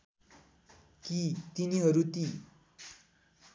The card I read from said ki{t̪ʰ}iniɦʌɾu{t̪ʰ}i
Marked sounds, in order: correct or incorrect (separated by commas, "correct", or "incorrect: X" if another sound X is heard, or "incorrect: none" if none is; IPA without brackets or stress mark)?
incorrect: t̪, incorrect: t̪